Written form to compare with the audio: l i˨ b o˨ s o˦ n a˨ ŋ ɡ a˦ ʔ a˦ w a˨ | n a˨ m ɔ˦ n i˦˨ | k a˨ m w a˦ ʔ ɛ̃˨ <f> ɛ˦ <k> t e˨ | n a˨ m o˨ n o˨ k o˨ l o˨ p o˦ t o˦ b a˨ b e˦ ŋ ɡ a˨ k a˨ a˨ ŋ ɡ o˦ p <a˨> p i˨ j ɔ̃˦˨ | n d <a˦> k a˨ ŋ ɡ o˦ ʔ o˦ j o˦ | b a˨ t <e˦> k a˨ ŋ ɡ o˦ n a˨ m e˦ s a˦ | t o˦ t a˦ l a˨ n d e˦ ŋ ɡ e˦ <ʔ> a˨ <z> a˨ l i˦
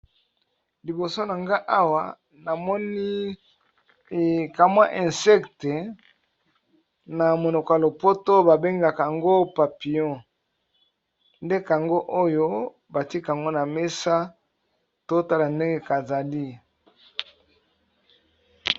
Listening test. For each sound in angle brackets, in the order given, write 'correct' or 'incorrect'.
incorrect: s, correct, correct, incorrect: e˦, incorrect: i˦, incorrect: k, correct

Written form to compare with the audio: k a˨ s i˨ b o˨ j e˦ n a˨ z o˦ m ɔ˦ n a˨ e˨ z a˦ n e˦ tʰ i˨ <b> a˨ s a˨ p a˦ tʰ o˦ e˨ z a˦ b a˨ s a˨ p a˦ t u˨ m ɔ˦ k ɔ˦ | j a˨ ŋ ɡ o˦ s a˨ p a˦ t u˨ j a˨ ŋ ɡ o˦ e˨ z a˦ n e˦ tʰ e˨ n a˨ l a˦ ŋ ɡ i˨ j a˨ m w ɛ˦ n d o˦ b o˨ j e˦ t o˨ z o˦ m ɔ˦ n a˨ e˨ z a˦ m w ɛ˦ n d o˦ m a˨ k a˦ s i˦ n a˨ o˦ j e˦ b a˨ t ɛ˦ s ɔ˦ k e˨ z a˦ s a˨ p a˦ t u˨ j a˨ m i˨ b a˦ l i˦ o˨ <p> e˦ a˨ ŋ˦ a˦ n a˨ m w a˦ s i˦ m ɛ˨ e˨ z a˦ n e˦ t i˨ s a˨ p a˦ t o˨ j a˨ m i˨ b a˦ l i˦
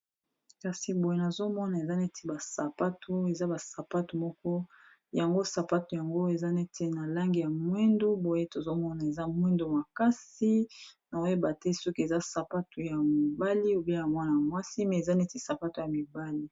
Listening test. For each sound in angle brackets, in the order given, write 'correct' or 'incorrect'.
correct, incorrect: b

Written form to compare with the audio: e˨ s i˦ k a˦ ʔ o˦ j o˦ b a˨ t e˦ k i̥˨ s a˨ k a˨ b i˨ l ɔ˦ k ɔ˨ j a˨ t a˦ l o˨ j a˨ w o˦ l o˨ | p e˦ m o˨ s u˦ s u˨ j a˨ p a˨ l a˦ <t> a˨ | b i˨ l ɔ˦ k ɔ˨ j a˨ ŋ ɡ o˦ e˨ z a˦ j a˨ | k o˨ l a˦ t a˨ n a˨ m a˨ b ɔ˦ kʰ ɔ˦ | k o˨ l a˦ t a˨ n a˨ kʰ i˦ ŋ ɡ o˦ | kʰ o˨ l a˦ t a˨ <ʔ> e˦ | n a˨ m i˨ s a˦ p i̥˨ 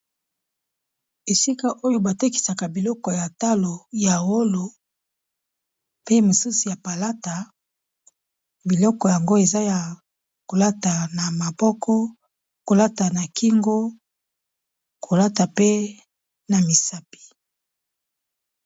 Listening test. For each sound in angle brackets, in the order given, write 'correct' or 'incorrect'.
correct, incorrect: p

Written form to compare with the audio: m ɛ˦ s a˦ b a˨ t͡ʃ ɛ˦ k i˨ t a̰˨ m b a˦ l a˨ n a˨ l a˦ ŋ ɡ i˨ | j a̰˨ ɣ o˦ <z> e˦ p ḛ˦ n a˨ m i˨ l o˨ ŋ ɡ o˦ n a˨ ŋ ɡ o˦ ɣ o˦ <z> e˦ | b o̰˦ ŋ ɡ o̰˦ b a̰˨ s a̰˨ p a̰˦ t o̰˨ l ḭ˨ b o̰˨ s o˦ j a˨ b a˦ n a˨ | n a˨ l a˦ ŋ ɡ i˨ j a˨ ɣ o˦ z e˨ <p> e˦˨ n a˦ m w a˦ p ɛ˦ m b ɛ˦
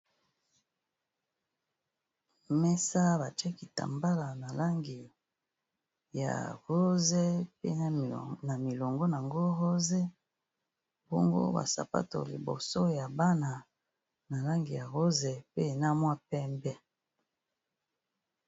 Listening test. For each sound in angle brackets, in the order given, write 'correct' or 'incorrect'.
correct, correct, correct

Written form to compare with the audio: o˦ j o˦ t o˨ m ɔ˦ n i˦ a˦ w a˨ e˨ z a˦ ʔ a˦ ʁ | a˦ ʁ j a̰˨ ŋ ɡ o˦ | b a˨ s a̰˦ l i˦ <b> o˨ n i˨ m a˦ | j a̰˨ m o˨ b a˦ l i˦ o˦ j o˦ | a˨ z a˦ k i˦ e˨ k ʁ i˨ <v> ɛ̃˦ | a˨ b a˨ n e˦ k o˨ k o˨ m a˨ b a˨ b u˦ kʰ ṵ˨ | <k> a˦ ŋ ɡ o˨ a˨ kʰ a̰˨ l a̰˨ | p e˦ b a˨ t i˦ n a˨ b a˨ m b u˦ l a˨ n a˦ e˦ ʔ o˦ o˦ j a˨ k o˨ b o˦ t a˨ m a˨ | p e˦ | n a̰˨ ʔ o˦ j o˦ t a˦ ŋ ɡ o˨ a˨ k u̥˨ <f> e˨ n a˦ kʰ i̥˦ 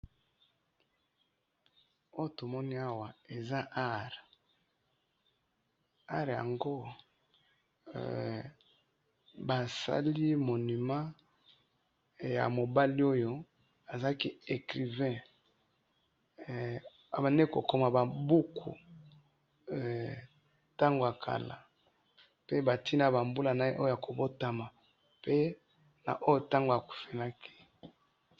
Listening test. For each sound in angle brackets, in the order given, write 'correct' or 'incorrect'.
incorrect: m, correct, incorrect: t, correct

